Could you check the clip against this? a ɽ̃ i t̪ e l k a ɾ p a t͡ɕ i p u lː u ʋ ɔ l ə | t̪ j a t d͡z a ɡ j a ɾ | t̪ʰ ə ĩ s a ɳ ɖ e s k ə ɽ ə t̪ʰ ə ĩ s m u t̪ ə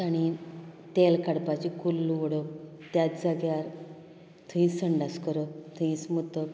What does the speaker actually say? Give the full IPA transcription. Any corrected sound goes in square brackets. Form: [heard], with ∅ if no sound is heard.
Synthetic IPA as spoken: a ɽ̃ i t̪ e l k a [ɽ] p a t͡ɕ i [k] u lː u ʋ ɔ [ɽ] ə | t̪ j a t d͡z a ɡ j a ɾ | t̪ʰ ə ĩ s [ə] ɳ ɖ [a] s k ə [ɾ] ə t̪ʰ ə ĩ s m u t̪ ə